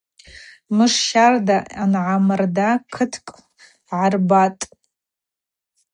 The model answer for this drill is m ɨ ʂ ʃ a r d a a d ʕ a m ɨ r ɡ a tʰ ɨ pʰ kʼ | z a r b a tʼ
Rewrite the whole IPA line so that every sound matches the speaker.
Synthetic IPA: m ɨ ʂ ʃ a r d a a n ʕ a m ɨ r d a kʰ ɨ tʰ kʼ | ʕ a r b a tʼ